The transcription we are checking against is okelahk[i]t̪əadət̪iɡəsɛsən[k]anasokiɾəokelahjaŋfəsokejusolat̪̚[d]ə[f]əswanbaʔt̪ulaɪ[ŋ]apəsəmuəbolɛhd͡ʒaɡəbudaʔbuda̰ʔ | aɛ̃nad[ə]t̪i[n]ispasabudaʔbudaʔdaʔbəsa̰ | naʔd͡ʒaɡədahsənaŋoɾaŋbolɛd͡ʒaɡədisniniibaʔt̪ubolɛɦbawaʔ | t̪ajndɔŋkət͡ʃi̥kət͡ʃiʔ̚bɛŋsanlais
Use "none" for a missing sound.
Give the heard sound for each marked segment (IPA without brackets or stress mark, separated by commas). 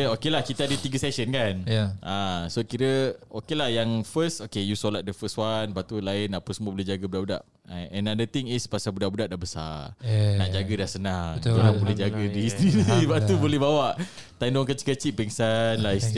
i, k, d, f, n, ə, ŋ